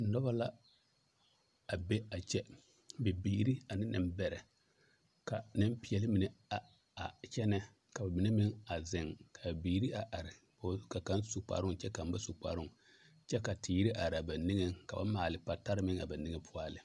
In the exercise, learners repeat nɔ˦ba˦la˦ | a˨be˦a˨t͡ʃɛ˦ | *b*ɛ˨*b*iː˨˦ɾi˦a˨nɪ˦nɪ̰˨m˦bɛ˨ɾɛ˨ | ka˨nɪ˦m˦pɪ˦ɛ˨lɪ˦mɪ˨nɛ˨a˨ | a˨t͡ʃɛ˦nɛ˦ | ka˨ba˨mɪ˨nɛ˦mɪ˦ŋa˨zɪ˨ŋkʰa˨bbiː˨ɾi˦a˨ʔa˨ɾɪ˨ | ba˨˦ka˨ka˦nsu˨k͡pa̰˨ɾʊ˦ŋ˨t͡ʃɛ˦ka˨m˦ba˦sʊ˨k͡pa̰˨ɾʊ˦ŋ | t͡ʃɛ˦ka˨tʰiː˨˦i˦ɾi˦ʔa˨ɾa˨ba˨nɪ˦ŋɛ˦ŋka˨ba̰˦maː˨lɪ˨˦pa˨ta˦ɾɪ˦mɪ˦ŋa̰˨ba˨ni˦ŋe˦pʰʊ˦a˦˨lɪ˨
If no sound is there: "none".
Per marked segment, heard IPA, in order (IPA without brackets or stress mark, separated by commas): b, b